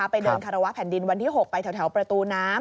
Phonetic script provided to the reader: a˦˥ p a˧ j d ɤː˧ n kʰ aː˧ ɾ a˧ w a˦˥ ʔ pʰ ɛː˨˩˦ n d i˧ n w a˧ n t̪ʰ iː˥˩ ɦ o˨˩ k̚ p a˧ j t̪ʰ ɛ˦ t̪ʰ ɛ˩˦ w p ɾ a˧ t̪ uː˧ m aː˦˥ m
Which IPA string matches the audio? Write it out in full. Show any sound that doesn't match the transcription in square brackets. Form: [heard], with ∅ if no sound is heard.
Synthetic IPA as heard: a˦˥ p a˧ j d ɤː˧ n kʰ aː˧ ɾ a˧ w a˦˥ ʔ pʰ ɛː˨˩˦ n d i˧ n w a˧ n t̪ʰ iː˥˩ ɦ o˨˩ k̚ p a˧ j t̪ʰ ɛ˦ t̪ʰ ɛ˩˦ w p ɾ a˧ t̪ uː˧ [n] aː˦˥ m

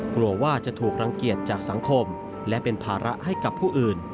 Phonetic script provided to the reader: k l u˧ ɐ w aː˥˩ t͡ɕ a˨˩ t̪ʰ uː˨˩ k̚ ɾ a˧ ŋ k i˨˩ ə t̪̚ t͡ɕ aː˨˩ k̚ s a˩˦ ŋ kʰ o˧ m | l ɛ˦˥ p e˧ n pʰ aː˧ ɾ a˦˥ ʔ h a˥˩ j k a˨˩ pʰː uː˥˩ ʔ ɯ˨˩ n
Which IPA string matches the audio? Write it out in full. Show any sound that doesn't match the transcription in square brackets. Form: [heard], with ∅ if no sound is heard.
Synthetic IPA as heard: k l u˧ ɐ w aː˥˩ t͡ɕ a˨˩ t̪ʰ uː˨˩ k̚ ɾ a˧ ŋ k i˨˩ ə t̪̚ t͡ɕ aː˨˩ k̚ s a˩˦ ŋ kʰ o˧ m | l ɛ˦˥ p e˧ n pʰ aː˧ ɾ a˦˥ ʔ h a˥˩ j k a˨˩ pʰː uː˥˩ ʔ [ɯː˨˩] n

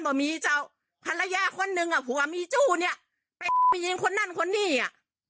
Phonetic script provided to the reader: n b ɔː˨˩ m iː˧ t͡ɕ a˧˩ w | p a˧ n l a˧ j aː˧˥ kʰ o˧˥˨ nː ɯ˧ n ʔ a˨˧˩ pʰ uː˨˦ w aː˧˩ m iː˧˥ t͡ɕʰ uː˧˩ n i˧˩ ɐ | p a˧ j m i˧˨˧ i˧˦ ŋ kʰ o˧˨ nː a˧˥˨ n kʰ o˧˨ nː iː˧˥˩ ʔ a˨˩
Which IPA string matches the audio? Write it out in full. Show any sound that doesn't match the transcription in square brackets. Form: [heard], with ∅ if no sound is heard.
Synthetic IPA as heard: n b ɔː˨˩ m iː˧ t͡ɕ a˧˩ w | [pʰ] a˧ n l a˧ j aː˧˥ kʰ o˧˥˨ nː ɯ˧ [ŋ] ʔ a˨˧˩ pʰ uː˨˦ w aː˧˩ m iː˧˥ [t͡ɕ] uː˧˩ n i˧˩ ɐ | p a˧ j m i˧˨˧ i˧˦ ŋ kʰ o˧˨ nː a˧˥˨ n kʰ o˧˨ nː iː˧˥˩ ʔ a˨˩

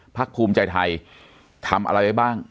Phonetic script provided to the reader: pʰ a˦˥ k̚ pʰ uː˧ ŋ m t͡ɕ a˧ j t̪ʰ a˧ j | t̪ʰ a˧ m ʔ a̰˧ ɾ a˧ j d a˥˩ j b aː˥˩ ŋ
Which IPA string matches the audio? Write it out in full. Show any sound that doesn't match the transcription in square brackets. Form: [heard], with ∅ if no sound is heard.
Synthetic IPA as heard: pʰ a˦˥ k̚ pʰ uː˧ [∅] m t͡ɕ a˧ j t̪ʰ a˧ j | t̪ʰ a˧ m ʔ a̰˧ ɾ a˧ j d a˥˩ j b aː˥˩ ŋ

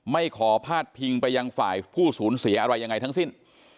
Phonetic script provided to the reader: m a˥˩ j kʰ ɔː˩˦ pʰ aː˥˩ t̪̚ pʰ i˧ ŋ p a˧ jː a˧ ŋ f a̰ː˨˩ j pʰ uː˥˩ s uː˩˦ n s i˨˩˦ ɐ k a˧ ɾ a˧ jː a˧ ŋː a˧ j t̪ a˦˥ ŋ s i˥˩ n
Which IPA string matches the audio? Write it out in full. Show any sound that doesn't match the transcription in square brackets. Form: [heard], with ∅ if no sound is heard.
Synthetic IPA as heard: m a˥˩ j kʰ ɔː˩˦ pʰ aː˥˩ t̪̚ pʰ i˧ ŋ p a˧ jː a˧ ŋ f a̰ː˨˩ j pʰ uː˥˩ s uː˩˦ n s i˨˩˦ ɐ [ʔ] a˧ ɾ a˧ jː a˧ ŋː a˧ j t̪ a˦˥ ŋ s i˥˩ n

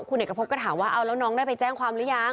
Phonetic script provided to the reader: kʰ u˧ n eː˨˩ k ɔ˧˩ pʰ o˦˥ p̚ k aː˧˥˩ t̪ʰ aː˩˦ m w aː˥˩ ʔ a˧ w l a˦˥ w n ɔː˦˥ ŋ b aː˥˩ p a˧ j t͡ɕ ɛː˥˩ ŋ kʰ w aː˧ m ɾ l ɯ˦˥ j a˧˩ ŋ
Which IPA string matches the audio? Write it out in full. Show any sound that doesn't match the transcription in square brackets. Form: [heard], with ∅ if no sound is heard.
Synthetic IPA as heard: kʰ u˧ n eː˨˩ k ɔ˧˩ pʰ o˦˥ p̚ k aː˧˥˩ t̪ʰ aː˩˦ m w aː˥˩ ʔ a˧ w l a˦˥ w n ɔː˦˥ ŋ [d] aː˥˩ p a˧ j t͡ɕ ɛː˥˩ ŋ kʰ w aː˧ m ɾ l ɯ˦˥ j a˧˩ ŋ

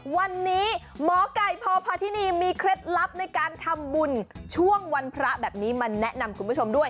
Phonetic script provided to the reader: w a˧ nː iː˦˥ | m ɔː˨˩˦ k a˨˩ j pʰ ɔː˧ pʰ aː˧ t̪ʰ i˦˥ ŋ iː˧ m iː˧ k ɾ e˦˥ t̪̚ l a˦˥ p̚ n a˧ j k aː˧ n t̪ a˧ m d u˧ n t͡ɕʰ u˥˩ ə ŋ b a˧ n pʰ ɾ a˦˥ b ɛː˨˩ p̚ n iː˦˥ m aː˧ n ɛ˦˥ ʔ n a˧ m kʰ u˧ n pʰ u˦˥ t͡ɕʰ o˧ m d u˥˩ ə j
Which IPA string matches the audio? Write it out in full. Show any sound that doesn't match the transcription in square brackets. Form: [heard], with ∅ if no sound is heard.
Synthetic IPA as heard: w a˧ nː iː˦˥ | m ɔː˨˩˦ k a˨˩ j pʰ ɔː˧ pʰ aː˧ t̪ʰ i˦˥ [n] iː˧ m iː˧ [kʰ] ɾ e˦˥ t̪̚ l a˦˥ p̚ n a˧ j k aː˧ n [t̪ʰ] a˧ m [b] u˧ n t͡ɕʰ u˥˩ ə ŋ [w] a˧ n pʰ ɾ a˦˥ b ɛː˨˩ p̚ n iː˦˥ m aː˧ n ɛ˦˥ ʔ n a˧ m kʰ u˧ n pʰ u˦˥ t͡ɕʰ o˧ m d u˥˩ ə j

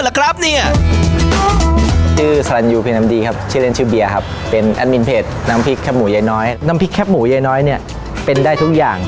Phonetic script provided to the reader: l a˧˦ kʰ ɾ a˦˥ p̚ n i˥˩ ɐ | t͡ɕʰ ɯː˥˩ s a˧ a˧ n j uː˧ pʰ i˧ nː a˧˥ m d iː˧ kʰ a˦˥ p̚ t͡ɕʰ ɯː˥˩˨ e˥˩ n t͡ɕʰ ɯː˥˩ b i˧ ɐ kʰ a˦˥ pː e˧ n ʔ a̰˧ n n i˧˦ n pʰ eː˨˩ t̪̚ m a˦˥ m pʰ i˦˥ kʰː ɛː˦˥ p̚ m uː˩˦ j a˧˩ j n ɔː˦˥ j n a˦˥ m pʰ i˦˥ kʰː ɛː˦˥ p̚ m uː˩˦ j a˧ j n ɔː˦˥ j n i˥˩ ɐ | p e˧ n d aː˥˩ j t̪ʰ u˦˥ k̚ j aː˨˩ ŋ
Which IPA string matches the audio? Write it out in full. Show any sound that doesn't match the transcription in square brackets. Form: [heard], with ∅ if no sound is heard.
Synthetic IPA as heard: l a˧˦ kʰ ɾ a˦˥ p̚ n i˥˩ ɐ | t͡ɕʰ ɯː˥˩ s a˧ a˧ n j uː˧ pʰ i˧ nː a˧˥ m d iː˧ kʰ a˦˥ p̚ t͡ɕʰ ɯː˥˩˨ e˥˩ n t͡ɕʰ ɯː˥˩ b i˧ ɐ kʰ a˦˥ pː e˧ n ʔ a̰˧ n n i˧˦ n pʰ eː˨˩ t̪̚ [n] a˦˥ m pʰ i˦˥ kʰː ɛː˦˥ p̚ m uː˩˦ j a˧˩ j n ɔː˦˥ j n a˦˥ m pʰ i˦˥ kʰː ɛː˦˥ p̚ m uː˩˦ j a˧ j n ɔː˦˥ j n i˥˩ ɐ | p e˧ n d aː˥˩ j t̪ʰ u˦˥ k̚ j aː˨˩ ŋ

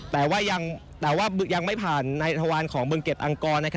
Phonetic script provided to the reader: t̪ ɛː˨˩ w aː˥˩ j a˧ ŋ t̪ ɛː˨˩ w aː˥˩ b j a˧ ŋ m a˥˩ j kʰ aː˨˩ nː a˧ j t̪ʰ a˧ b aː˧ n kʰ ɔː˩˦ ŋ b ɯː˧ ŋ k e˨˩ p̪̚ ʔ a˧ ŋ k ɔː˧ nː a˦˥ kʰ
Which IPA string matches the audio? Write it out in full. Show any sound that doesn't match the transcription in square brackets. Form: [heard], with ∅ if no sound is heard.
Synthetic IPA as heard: t̪ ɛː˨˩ w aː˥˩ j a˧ ŋ t̪ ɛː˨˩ w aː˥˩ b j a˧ ŋ m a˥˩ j [pʰ] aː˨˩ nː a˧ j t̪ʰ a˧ [w] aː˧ n kʰ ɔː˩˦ ŋ b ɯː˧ ŋ k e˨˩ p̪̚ ʔ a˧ ŋ k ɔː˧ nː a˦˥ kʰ

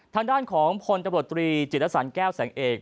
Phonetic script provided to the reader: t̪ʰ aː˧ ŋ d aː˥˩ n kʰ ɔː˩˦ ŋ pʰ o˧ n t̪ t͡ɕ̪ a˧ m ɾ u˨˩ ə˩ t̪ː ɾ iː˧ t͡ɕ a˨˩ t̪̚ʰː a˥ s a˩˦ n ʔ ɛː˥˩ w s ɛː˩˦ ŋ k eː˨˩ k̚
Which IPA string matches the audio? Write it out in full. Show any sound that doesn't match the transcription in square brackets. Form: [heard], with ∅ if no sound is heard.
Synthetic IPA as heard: t̪ʰ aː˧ ŋ d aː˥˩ n kʰ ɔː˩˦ ŋ pʰ o˧ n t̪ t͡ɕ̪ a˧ m ɾ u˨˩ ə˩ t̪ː ɾ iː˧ t͡ɕ [i˨˩] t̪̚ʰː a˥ s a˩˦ n [k] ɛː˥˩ w s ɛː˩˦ ŋ [ʔ] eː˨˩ k̚

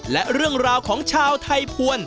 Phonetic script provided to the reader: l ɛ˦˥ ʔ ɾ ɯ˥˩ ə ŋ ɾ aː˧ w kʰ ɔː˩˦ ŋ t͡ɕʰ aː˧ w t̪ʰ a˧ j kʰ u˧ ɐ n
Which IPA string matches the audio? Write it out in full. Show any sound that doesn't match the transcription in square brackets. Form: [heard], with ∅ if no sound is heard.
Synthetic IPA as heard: l ɛ˦˥ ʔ ɾ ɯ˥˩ ə ŋ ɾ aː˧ w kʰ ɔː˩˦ ŋ t͡ɕʰ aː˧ w t̪ʰ a˧ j [pʰ] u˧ [ə] n

